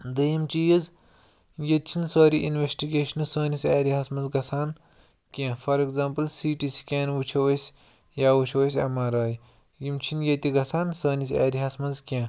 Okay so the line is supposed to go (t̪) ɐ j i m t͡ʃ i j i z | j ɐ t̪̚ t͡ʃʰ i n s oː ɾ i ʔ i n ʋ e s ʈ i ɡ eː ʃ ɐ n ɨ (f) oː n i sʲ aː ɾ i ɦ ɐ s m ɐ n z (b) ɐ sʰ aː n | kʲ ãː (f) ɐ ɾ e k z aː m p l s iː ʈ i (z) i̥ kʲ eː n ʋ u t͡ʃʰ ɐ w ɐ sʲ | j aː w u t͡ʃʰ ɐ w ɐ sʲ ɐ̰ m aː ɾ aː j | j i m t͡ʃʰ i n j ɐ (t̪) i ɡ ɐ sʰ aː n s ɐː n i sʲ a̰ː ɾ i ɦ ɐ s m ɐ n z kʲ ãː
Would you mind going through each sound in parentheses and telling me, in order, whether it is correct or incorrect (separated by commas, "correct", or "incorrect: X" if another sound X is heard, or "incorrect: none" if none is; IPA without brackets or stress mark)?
incorrect: d̪, incorrect: s, incorrect: ɡ, correct, incorrect: s, correct